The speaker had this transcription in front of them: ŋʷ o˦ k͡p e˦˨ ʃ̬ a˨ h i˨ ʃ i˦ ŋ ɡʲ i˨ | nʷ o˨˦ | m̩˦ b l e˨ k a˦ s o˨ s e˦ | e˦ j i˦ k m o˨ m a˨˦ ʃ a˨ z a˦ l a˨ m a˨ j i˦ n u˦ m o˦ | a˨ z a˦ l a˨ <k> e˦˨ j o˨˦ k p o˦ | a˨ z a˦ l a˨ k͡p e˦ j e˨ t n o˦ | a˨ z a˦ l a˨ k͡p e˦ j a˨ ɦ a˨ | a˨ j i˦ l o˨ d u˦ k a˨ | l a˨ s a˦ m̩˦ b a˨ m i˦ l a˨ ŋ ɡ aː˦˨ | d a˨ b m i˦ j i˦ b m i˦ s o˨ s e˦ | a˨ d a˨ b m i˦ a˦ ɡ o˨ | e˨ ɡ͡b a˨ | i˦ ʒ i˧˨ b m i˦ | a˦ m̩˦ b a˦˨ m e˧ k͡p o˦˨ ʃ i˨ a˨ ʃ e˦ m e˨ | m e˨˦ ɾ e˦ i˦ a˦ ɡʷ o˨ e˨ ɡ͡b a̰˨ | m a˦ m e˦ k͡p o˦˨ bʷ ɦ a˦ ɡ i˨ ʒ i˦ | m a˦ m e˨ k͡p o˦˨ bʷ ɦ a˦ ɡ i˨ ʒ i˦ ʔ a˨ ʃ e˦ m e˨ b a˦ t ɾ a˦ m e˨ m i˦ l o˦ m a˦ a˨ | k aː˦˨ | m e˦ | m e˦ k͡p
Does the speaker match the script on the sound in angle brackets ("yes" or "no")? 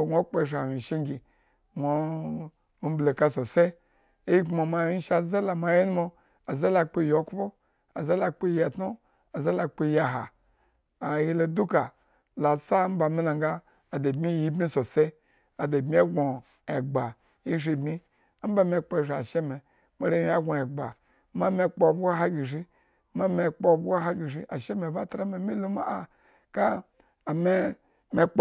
no